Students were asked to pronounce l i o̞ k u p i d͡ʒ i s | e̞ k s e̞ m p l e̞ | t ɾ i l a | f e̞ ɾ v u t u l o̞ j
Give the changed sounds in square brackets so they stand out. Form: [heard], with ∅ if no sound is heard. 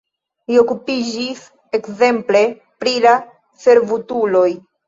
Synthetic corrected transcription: l i o̞ k u p i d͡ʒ i s | e̞ k [z] e̞ m p l e̞ | [p] ɾ i l a | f e̞ ɾ v u t u l o̞ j